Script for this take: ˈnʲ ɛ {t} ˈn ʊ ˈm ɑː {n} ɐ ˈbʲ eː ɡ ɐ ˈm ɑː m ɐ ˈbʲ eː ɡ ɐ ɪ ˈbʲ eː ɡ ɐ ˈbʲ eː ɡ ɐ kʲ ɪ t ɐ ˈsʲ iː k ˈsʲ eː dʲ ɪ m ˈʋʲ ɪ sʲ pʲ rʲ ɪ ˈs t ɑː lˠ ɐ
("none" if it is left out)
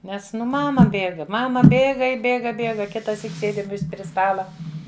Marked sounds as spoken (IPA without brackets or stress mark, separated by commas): s, m